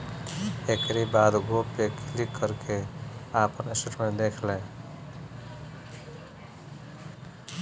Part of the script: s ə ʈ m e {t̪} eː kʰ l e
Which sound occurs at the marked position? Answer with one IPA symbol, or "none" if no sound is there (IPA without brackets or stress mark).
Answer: d̪